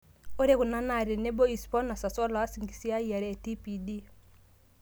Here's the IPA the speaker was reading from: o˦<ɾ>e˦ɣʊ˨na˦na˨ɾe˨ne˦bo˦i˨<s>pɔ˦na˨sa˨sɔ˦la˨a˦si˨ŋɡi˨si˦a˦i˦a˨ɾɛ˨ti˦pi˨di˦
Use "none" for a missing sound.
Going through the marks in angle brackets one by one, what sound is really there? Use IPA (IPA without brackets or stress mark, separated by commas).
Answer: ɾ, s